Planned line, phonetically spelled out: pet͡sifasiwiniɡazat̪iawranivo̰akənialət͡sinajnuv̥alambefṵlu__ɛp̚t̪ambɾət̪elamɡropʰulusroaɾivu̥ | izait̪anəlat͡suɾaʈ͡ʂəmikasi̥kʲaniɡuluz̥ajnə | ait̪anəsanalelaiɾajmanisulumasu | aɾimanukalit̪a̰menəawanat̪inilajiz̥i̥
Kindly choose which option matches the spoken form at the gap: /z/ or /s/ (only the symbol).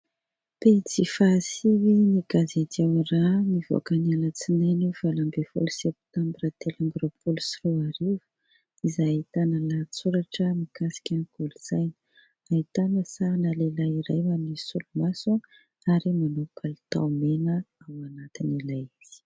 s